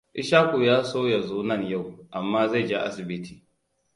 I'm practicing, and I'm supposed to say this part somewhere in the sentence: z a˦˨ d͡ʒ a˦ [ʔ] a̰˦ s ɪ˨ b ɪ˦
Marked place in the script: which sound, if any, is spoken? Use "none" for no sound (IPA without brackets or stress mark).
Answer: ʔ